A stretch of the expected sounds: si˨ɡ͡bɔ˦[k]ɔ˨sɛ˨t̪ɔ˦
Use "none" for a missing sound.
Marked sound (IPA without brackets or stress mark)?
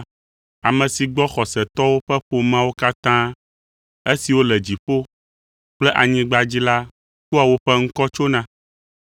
x